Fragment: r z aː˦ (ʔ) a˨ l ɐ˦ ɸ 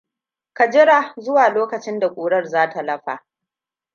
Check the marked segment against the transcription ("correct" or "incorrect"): incorrect